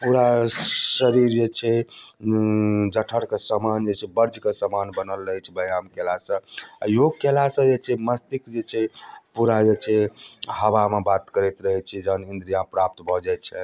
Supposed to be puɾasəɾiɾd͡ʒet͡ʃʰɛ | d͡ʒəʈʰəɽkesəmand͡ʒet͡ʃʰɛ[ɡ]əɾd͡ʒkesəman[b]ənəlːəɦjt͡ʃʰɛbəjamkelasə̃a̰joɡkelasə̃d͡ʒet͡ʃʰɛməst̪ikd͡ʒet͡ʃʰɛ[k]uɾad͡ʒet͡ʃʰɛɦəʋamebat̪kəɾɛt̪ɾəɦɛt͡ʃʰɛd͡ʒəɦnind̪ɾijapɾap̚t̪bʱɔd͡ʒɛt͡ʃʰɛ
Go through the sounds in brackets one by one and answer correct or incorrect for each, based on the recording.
incorrect: b, correct, incorrect: p

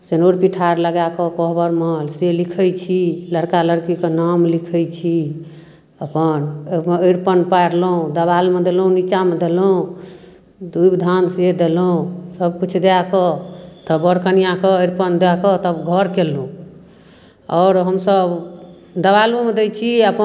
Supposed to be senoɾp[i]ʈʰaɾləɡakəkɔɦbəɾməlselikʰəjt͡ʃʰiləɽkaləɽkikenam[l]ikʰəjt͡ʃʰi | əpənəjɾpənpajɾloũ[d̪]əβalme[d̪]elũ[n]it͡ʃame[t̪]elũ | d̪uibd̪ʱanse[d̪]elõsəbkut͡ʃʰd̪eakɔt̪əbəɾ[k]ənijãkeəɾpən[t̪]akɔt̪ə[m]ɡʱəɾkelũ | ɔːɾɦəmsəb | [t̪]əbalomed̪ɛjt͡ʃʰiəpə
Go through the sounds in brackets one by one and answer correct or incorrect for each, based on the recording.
correct, correct, correct, correct, correct, incorrect: d̪, correct, correct, incorrect: d̪, incorrect: b, incorrect: d̪

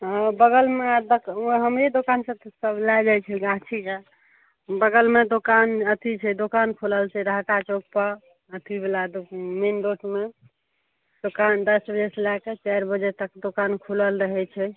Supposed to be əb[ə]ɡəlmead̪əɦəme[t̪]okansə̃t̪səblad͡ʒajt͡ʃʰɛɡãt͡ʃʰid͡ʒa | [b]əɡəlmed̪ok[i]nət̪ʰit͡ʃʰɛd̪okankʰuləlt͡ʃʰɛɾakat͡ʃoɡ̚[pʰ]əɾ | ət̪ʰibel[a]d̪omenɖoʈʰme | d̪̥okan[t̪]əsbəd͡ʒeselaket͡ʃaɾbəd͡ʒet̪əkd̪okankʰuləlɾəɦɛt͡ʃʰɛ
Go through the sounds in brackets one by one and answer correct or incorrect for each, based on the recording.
correct, incorrect: d̪, correct, incorrect: a, incorrect: p, correct, incorrect: d̪

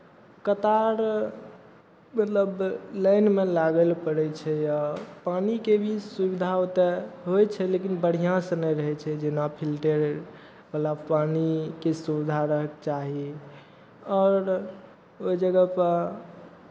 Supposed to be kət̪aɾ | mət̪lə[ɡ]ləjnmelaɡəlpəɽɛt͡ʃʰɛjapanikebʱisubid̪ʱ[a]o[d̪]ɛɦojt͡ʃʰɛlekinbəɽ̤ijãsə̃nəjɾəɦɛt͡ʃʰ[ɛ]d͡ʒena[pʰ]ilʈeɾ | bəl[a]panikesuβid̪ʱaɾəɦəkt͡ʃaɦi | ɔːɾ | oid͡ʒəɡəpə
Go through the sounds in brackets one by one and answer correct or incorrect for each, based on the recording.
incorrect: b, correct, incorrect: t̪, correct, correct, correct

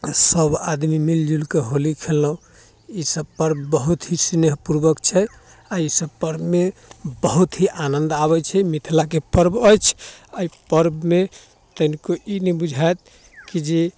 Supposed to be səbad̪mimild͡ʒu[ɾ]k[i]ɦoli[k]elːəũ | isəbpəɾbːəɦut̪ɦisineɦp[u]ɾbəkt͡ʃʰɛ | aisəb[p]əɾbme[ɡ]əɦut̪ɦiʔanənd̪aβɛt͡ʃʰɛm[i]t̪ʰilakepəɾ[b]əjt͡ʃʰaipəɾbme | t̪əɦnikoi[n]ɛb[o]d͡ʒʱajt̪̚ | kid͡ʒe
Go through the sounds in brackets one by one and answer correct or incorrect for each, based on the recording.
incorrect: l, incorrect: e, incorrect: kʰ, correct, correct, incorrect: b, correct, correct, correct, incorrect: u

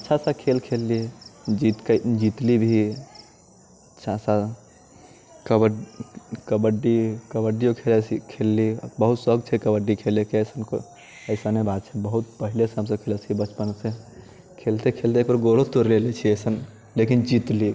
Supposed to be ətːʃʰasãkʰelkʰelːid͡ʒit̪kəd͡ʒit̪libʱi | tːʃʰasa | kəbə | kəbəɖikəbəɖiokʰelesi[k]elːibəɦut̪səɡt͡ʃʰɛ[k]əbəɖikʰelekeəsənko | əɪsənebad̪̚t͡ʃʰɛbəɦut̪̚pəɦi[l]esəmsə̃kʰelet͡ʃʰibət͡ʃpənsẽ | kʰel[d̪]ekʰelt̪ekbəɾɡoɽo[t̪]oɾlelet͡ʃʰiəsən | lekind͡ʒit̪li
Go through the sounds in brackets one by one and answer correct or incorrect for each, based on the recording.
incorrect: kʰ, correct, correct, incorrect: t̪, correct

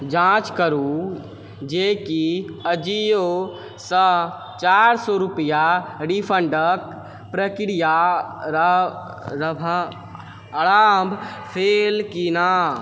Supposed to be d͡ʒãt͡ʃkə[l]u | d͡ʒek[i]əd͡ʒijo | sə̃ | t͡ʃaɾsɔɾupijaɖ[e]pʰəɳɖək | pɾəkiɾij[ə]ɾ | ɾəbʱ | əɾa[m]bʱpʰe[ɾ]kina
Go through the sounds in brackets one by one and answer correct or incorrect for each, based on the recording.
incorrect: ɾ, correct, incorrect: i, incorrect: a, correct, incorrect: l

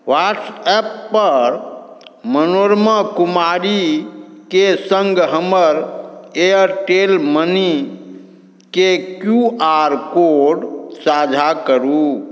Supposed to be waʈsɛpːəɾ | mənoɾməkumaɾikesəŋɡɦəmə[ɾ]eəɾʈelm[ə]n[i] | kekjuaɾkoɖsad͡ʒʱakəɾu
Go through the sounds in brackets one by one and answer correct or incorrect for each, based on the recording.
correct, correct, correct

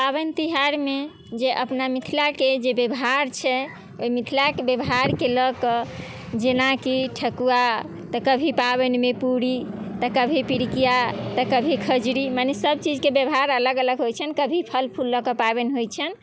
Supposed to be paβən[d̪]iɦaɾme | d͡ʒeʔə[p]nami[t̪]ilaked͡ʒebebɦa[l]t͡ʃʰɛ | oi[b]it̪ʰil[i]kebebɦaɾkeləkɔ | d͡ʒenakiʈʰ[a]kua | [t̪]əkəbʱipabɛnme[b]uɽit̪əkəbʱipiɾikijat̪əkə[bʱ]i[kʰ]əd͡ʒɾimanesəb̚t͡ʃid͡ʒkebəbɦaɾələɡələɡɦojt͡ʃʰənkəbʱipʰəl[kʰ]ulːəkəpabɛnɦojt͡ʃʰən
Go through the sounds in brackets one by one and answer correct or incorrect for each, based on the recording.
incorrect: t̪, correct, incorrect: t̪ʰ, incorrect: ɾ, incorrect: m, incorrect: a, incorrect: ə, correct, incorrect: p, correct, correct, incorrect: pʰ

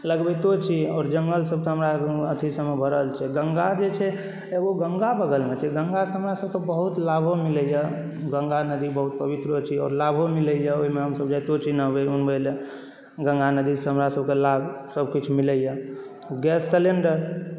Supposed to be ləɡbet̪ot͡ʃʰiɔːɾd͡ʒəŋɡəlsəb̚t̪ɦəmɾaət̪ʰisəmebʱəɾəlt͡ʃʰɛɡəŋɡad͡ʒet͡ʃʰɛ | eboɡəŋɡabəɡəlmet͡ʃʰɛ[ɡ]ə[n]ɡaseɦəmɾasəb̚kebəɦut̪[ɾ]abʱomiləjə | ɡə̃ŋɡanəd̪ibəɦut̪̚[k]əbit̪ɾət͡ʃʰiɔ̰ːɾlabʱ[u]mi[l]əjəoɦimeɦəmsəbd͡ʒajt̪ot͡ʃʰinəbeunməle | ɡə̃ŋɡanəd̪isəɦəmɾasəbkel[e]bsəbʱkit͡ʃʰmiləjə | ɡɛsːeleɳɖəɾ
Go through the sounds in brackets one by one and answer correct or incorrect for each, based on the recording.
correct, incorrect: ŋ, incorrect: l, incorrect: p, incorrect: o, correct, incorrect: a

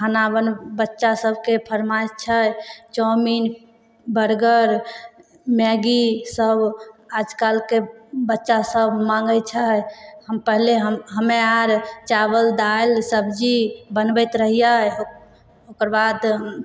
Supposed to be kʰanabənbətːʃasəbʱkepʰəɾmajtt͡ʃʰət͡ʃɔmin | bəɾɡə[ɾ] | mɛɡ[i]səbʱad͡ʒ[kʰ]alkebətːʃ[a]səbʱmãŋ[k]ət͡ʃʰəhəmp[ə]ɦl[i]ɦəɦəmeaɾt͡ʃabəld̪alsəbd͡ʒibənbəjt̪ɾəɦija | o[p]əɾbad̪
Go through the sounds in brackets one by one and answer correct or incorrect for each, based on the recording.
correct, correct, incorrect: k, correct, incorrect: ɡ, correct, incorrect: e, incorrect: k

